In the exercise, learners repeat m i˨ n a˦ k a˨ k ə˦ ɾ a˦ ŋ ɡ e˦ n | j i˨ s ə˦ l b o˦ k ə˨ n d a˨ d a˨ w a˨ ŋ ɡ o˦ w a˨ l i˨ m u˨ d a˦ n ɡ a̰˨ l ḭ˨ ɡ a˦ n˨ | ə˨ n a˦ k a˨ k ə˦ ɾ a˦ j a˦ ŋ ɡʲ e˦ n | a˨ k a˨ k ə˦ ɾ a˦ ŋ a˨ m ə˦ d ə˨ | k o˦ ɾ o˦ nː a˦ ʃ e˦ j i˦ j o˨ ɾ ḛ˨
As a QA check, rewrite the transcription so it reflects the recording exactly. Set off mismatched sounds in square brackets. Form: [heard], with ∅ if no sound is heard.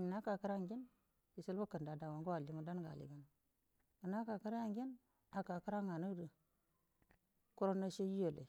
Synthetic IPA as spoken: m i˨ n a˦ k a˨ k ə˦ ɾ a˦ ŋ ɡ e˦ n | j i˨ s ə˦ l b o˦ k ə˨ n d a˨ d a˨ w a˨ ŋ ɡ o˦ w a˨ l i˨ m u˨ d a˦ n ɡ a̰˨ l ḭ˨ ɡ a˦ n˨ | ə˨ n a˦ k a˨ k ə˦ ɾ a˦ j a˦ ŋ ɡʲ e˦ n | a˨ k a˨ k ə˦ ɾ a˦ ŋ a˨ [n] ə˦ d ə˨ | k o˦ ɾ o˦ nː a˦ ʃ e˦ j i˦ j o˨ [l] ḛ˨

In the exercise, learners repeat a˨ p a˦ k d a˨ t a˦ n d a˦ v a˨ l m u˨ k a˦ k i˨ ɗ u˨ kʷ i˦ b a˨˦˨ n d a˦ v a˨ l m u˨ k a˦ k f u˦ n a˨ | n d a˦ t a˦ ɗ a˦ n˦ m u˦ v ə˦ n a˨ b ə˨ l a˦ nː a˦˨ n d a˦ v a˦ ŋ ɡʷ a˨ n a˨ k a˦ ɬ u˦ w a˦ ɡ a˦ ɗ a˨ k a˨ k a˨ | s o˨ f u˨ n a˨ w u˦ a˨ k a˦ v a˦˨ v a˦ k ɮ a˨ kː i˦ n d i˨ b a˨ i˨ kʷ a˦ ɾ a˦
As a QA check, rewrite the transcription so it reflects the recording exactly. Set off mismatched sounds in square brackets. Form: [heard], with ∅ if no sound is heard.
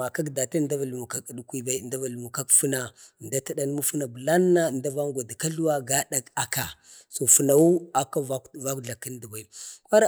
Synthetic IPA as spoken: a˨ [k] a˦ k d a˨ t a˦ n d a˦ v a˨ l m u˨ k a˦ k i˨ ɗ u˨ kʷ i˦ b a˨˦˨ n d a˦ v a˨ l m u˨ k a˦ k f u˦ n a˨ | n d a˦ t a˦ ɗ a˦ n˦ m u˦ [f] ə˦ n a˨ b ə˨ l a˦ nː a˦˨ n d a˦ v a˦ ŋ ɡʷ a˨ [d] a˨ k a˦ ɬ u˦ w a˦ ɡ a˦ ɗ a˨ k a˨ k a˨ | s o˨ f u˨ n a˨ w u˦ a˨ k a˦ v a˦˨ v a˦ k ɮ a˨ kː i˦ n d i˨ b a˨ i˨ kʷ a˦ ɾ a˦

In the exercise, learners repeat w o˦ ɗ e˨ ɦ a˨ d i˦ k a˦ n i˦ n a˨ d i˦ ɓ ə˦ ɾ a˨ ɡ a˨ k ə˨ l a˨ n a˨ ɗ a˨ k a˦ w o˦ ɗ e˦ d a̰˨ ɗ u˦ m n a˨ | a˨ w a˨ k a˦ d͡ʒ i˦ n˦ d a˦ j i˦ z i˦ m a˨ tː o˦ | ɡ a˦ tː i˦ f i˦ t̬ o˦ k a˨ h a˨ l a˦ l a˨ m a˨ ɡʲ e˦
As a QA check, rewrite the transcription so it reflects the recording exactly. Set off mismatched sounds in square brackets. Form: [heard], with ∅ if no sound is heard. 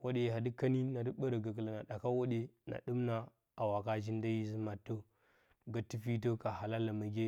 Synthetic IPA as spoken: w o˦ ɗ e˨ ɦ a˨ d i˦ k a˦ n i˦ n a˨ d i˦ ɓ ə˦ ɾ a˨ ɡ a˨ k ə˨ l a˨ n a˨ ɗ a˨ k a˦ w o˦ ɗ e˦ [n] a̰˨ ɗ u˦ m n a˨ | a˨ w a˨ k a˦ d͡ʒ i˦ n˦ d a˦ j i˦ z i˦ m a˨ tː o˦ | ɡ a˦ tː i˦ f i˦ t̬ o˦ k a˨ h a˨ l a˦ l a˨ m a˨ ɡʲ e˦

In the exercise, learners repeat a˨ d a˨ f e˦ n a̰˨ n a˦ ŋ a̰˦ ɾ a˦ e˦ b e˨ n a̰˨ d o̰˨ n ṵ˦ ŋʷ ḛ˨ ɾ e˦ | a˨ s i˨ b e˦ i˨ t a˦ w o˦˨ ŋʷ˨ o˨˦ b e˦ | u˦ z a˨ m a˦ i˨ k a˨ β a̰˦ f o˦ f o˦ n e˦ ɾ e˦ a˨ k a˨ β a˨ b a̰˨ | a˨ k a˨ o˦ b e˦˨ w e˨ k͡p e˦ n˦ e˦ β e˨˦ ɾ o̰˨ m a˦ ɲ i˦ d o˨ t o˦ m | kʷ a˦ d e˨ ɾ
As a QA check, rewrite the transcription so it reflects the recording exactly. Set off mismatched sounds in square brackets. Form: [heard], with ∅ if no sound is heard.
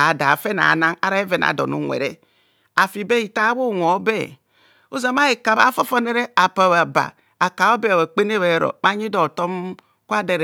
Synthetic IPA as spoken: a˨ d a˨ f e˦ n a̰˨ n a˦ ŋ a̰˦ ɾ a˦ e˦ [v] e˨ n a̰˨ d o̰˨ n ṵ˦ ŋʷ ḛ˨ ɾ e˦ | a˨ [f] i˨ b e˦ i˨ t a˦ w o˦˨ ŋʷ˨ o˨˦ b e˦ | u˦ z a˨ m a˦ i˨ k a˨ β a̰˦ f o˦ f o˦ n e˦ ɾ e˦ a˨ [p] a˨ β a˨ b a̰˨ | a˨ k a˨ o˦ b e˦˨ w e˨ k͡p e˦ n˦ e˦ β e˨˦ ɾ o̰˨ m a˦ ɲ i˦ d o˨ t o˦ m | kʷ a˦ d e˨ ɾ

